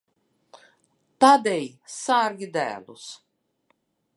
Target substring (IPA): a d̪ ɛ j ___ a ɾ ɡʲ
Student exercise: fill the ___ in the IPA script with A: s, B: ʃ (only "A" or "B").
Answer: A